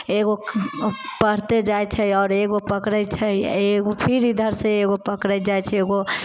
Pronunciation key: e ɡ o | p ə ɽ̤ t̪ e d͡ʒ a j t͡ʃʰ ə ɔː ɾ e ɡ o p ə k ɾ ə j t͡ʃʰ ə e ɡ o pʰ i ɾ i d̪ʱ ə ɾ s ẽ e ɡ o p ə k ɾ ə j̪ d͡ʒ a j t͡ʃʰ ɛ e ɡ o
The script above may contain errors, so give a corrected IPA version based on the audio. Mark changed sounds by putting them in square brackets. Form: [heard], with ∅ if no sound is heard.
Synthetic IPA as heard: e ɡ o | p ə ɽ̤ t̪ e d͡ʒ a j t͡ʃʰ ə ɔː ɾ e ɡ o p ə k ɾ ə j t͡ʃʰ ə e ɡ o pʰ i ɾ i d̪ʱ ə ɾ s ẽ e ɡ o p ə k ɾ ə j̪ d͡ʒ a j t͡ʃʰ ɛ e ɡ o